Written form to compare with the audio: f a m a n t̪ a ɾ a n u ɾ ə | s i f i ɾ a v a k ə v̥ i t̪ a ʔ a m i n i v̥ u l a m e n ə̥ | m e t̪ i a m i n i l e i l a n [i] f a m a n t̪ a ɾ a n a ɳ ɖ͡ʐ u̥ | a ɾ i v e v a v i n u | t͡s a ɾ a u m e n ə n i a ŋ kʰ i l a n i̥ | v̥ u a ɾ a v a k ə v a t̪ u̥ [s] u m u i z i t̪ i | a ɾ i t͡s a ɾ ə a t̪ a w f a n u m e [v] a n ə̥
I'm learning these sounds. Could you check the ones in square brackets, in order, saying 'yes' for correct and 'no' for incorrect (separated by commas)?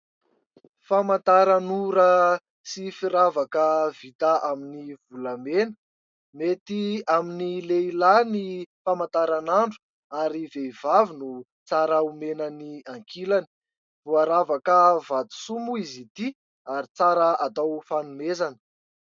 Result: yes, yes, no